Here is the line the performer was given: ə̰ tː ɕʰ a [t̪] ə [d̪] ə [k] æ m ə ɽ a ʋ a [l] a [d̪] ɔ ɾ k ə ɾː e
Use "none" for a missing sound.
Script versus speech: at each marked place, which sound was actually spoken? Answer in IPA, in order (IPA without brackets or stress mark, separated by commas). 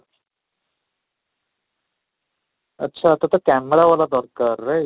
t̪, t̪, k, l, d̪